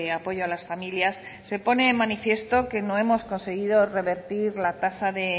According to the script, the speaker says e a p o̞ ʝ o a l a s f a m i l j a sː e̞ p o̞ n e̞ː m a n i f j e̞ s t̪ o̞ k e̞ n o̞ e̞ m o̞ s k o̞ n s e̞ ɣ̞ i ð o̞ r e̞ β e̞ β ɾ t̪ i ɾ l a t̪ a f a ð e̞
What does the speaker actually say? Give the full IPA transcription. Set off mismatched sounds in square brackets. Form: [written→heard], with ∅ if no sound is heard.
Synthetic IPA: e a p o̞ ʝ o a l a s f a m i l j a sː e̞ p o̞ n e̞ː m a n i f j e̞ s t̪ o̞ k e̞ n o̞ e̞ m o̞ s k o̞ n s e̞ ɣ̞ i ð o̞ r e̞ β e̞ [β→∅] ɾ t̪ i ɾ l a t̪ a [f→s] a ð e̞